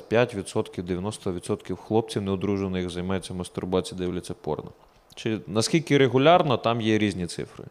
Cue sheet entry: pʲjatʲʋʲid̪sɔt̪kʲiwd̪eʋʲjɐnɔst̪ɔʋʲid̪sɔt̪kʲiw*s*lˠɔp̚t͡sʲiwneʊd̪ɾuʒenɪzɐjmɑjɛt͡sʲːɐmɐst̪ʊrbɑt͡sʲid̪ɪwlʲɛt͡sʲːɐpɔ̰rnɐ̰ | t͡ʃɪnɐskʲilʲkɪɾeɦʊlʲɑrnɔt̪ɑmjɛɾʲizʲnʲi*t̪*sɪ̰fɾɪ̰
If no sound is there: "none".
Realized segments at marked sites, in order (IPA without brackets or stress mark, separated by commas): x, t̪